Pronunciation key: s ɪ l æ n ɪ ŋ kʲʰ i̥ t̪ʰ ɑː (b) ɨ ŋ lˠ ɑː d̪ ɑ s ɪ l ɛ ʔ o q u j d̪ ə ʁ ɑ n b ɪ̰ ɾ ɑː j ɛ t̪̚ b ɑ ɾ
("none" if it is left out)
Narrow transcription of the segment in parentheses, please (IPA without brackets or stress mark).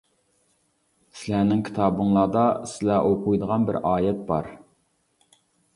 b